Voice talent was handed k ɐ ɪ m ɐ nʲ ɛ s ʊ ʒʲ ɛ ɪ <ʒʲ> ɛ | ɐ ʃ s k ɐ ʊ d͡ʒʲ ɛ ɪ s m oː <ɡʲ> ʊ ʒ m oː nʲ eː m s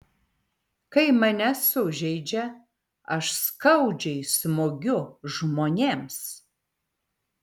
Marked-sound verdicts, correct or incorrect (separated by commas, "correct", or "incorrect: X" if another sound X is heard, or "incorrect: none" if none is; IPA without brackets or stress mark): incorrect: d͡ʒʲ, correct